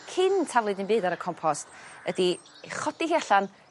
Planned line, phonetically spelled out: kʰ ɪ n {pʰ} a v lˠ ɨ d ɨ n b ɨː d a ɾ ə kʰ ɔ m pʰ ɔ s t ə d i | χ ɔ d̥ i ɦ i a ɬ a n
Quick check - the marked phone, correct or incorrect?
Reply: incorrect